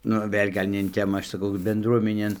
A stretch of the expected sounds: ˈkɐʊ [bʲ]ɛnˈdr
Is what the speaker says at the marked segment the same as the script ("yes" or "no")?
yes